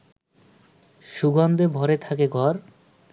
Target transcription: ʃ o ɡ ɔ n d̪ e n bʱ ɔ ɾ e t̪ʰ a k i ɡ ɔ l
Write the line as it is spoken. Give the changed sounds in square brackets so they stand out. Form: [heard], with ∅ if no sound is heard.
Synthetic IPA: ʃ [u] ɡ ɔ n d̪ e [∅] bʱ ɔ ɾ e t̪ʰ a k [e] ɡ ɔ [ɾ]